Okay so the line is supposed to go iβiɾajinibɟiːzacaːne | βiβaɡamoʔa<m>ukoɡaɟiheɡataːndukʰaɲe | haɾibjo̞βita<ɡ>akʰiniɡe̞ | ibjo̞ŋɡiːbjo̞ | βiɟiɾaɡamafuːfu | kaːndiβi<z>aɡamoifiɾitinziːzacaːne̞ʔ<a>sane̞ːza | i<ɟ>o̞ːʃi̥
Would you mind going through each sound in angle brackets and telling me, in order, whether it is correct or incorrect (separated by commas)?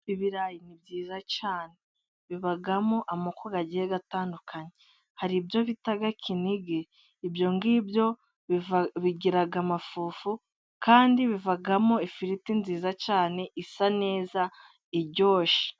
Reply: correct, correct, incorrect, incorrect, correct